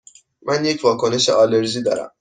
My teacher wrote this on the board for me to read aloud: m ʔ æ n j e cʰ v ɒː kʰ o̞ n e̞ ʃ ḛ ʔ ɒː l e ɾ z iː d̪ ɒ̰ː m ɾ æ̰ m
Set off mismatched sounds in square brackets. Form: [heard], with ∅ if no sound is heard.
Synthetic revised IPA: m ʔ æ n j e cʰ v ɒː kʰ o̞ n e̞ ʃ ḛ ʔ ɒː l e ɾ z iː d̪ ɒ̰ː [∅] ɾ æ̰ m